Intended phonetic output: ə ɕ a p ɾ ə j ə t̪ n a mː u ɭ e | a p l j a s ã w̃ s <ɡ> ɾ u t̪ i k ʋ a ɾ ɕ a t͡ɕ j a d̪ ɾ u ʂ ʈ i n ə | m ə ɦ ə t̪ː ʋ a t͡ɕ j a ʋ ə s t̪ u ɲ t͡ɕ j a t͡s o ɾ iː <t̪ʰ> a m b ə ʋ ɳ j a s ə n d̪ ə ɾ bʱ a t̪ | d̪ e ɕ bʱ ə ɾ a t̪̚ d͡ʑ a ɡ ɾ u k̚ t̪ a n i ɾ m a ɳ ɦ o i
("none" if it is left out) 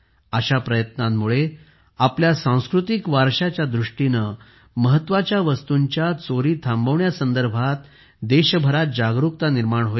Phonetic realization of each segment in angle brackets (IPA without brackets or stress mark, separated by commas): k, t̪ʰ